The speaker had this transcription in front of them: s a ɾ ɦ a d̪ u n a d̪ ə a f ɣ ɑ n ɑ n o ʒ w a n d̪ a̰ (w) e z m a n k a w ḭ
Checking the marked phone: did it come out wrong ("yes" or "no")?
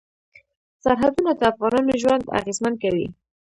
yes